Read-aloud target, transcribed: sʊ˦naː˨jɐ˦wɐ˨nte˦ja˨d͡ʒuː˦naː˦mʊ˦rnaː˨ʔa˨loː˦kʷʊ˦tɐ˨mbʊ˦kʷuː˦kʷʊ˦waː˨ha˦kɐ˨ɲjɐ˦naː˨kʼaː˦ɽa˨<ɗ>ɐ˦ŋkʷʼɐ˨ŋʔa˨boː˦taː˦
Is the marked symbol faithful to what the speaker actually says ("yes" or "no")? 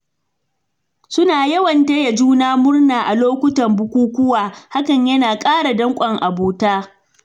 no